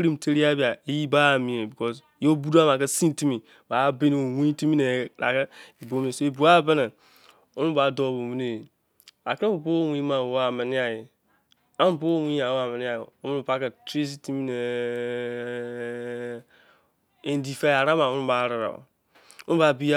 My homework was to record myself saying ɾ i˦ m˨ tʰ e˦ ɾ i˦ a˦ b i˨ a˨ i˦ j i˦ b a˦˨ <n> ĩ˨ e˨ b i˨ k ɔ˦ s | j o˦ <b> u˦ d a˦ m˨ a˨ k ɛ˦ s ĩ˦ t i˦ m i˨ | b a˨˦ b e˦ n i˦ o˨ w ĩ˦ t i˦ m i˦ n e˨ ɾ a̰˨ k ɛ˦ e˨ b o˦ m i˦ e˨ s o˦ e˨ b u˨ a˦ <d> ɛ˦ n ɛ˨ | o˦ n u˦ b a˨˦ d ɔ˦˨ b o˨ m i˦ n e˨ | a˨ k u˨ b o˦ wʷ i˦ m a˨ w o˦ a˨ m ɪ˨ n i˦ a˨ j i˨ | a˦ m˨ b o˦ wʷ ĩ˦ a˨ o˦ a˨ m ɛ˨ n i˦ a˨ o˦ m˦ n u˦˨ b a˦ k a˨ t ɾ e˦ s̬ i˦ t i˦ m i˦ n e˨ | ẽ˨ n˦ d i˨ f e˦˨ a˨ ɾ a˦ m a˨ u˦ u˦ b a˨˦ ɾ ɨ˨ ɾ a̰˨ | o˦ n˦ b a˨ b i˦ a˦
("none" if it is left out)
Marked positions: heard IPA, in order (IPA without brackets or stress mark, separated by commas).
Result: m, b, b